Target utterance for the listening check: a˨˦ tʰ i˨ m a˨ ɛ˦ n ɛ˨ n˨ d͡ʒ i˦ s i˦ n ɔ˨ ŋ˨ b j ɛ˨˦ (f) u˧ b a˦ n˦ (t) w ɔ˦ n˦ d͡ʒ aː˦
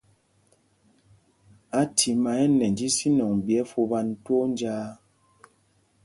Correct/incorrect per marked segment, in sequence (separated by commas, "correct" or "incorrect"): correct, correct